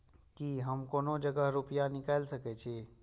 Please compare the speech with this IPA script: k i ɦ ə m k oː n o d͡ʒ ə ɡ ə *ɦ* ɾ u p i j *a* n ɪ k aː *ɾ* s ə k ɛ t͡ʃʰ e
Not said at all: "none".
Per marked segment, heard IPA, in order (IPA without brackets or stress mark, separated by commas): ɦ, a, l